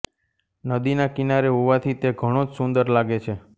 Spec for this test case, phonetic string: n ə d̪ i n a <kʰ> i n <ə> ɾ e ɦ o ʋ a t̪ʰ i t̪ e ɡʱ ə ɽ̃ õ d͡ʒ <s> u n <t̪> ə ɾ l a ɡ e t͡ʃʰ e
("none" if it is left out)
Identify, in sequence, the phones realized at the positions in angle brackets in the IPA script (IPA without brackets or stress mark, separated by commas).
k, a, s, d̪